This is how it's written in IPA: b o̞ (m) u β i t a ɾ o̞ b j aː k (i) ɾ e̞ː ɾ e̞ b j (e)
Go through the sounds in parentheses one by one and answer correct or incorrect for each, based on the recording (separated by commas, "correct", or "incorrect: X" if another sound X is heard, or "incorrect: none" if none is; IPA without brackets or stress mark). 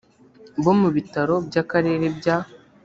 correct, incorrect: a, incorrect: a